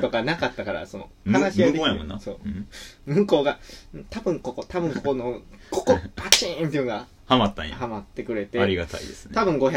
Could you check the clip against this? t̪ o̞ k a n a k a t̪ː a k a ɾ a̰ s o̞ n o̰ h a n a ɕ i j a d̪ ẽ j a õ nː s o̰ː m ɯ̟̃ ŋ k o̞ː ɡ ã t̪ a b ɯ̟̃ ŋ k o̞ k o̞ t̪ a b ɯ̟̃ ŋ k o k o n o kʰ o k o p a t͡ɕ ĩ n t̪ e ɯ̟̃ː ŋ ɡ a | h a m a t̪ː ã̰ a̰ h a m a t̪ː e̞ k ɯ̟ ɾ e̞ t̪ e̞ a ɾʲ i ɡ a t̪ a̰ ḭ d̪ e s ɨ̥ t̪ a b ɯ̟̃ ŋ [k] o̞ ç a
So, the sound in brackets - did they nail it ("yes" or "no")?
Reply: no